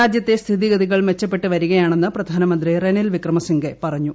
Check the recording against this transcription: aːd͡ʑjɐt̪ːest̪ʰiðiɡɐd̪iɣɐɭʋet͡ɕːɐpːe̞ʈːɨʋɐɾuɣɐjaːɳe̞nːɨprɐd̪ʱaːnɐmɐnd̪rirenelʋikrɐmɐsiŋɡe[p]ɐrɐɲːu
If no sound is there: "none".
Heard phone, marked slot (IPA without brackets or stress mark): p